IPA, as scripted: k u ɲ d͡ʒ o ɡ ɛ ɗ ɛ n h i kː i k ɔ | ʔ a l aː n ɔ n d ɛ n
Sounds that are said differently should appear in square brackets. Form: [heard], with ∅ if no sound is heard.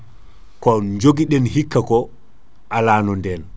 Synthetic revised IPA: k [ɔ] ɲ d͡ʒ o ɡ [i] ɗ ɛ n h i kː [a] k ɔ | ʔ a l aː n ɔ n d ɛ n